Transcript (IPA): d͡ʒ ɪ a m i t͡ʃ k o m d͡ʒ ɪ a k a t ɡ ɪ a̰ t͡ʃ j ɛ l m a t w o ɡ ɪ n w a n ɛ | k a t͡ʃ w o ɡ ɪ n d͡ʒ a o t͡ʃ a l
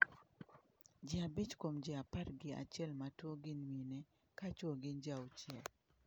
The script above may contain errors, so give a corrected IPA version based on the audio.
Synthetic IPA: d͡ʒ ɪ a b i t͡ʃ k o m d͡ʒ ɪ a p a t ɡ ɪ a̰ t͡ʃ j ɛ l m a t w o ɡ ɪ n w i n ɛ | k a t͡ʃ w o ɡ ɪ n d͡ʒ a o t͡ʃ ɛ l